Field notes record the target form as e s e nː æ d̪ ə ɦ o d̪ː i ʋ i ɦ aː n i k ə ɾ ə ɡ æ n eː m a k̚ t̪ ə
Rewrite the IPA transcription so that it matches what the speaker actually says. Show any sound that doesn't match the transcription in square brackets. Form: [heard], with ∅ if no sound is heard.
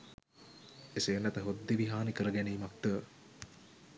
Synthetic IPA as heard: e s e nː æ [t̪] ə ɦ o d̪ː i ʋ i ɦ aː n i k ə ɾ ə ɡ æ n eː m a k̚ t̪ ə